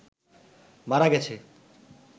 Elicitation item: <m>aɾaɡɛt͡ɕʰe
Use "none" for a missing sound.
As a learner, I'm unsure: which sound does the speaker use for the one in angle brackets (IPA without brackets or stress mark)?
m